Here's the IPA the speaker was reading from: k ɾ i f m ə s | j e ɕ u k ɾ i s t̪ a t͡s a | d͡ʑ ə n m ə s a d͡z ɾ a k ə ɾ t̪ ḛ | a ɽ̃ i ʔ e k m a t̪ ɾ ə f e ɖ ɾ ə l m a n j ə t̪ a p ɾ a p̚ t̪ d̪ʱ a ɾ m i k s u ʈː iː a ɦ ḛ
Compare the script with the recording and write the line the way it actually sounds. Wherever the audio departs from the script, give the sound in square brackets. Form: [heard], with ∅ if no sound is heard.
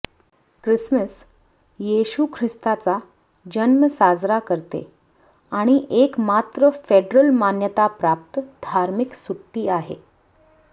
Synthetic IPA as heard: k ɾ i [s] m ə s | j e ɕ u [kʰ] ɾ i s t̪ a t͡s a | d͡ʑ ə n m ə s a d͡z ɾ a k ə ɾ t̪ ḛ | a ɽ̃ i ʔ e k m a t̪ ɾ ə f e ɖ ɾ ə l m a n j ə t̪ a p ɾ a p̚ t̪ d̪ʱ a ɾ m i k s u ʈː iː a ɦ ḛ